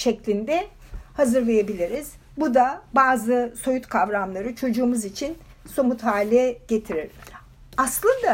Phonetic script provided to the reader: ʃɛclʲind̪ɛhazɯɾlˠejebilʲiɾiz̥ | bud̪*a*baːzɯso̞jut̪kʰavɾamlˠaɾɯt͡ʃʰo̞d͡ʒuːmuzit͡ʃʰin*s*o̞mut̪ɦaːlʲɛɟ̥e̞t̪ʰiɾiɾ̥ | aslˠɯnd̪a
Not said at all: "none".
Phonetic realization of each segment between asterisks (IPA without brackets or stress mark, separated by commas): a, s